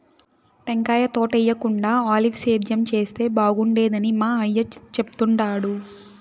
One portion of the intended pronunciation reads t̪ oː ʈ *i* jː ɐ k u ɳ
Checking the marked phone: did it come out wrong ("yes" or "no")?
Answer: yes